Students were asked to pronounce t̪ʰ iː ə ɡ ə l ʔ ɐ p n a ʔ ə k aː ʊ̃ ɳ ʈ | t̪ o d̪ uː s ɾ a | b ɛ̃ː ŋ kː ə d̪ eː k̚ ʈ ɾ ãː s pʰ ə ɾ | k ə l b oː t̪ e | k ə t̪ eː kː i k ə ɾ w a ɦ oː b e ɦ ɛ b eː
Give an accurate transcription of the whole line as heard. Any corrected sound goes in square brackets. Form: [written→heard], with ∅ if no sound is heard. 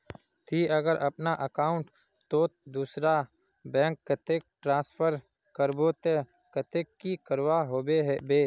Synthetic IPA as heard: t̪ʰ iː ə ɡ ə [l→ɾ] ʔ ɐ p n a ʔ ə k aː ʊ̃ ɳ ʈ | t̪ o d̪ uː s ɾ a | b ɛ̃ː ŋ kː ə [d̪→t̪] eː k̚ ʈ ɾ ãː s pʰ ə ɾ | k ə [l→ɾ] b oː t̪ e | k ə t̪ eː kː i k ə ɾ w a ɦ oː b e ɦ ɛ b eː